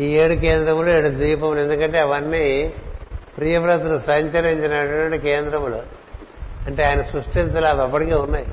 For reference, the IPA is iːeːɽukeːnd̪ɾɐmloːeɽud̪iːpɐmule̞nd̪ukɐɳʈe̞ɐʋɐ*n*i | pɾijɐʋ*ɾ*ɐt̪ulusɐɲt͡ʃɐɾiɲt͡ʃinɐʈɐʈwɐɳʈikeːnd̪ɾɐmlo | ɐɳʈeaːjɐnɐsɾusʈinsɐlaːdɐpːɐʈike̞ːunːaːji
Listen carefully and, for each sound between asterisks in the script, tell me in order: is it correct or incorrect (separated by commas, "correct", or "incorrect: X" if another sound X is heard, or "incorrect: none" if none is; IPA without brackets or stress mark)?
incorrect: nː, correct